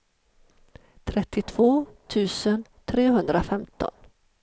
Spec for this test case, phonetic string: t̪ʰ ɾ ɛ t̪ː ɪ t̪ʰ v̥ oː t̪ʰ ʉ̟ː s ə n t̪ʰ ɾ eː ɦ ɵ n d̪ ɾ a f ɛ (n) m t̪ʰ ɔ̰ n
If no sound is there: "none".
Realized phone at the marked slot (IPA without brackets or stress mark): none